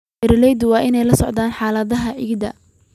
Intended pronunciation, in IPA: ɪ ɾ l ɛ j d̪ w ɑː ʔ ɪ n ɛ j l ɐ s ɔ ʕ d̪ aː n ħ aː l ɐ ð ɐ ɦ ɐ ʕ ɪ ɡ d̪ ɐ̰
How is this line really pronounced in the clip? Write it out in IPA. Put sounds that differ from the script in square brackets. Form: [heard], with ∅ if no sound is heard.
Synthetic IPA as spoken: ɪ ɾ l ɛ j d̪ w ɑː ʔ ɪ n ɛ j l ɐ s ɔ ʕ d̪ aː n ħ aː l ɐ ð ɐ ɦ ɐ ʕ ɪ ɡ d̪ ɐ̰